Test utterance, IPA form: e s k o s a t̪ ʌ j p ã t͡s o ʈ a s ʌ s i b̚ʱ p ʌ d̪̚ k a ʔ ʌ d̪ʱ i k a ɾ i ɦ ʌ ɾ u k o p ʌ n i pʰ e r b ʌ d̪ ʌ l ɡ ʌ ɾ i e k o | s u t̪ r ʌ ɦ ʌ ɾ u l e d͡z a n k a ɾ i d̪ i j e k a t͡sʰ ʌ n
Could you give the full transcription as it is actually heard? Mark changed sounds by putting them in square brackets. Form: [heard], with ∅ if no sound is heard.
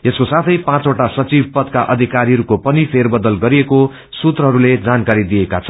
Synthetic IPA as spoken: e s k o s a [t̪ʰ] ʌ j p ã t͡s o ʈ a s ʌ [t͡s] i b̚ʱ p ʌ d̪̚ k a ʔ ʌ d̪ʱ i k a ɾ i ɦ ʌ ɾ u k o p ʌ n i pʰ e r b ʌ d̪ ʌ l ɡ ʌ ɾ i e k o | s u t̪ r ʌ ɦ ʌ ɾ u l e d͡z a n k a ɾ i d̪ i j e k a t͡sʰ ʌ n